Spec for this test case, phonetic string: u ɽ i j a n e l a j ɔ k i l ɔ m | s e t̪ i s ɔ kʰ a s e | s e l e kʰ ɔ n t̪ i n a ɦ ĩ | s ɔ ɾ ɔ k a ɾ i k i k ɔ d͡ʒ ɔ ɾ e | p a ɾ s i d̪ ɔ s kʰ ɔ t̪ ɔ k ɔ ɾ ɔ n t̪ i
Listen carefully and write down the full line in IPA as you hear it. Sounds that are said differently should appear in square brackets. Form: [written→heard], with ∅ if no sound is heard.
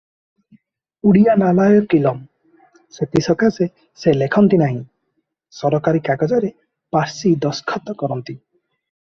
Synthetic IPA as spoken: u ɽ i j a n [e→a] l a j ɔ k i l ɔ m | s e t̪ i s ɔ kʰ a s e | s e l e kʰ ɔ n t̪ i n a ɦ ĩ | s ɔ ɾ ɔ k a ɾ i k [i→a] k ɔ d͡ʒ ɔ ɾ e | p a ɾ s i d̪ ɔ s kʰ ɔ t̪ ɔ k ɔ ɾ ɔ n t̪ i